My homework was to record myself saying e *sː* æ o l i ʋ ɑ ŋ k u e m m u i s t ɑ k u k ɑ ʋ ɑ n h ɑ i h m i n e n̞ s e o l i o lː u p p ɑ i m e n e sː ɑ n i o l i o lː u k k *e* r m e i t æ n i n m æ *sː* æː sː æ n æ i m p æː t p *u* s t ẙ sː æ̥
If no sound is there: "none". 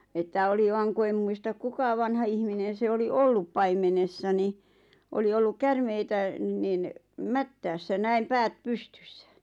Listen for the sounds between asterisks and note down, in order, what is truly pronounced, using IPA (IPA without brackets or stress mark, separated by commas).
tː, æ, tː, u